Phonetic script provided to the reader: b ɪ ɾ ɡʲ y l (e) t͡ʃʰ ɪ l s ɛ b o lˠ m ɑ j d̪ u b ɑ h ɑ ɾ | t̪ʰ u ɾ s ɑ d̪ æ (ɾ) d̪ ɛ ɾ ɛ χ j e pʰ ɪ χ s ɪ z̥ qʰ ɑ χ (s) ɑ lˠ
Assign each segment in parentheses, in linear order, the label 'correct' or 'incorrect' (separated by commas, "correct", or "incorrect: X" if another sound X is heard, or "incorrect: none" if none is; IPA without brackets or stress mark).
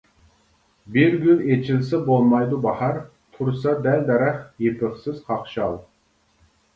correct, incorrect: l, incorrect: ʃ